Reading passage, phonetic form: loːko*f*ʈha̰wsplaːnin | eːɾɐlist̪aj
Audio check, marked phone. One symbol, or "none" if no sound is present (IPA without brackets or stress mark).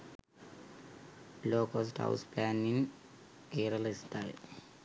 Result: s